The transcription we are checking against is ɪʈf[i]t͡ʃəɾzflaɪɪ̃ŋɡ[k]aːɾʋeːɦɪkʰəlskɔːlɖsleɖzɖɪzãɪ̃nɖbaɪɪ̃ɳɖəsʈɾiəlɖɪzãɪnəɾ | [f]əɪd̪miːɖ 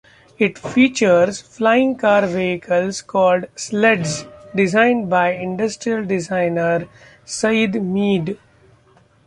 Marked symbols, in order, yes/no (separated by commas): no, yes, no